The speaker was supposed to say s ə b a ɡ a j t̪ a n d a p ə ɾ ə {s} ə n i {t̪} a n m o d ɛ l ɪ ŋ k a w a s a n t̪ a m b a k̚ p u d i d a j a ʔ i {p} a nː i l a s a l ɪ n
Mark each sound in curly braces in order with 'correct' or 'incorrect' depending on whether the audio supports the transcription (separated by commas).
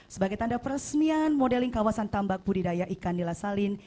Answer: correct, incorrect, incorrect